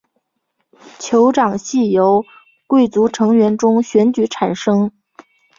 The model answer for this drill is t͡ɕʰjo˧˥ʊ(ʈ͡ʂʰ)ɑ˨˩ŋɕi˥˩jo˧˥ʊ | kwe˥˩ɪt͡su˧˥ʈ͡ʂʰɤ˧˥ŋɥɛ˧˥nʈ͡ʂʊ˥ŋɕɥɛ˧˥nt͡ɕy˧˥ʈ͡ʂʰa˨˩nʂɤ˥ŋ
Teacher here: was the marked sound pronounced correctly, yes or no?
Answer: no